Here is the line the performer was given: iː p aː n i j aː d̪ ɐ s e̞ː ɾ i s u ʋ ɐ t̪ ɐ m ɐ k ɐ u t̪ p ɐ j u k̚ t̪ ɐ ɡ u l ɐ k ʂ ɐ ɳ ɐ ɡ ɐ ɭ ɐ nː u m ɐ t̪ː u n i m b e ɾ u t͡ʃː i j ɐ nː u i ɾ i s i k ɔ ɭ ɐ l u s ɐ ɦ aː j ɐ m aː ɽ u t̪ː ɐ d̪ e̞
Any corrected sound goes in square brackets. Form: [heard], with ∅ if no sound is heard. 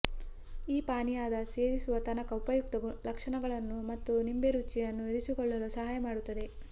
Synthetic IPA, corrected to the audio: iː p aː n i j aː d̪ ɐ s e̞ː ɾ i s u ʋ ɐ t̪ ɐ [n] ɐ k ɐ u [∅] p ɐ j u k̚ t̪ ɐ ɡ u l ɐ k ʂ ɐ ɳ ɐ ɡ ɐ ɭ ɐ nː u m ɐ t̪ː u n i m b e ɾ u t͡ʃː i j ɐ nː u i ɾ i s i k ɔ [ɭː] ɐ l u s ɐ ɦ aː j ɐ m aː ɽ u t̪ː ɐ d̪ e̞